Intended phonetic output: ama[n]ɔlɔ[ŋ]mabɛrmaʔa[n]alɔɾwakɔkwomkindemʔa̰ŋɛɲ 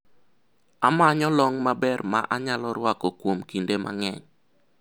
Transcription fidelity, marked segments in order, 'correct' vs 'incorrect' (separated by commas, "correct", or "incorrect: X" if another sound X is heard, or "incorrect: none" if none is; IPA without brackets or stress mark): incorrect: ɲ, correct, incorrect: ɲ